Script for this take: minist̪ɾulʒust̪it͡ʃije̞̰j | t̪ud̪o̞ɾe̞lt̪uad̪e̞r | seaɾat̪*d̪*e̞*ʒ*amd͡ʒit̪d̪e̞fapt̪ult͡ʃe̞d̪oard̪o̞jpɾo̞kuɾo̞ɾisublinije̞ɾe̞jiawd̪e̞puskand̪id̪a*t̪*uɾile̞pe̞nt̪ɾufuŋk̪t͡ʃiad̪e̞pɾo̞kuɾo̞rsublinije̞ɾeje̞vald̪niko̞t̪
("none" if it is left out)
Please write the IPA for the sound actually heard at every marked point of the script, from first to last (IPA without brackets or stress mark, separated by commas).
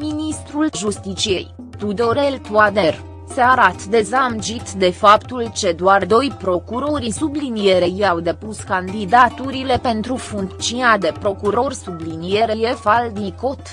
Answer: d̪, z, t̪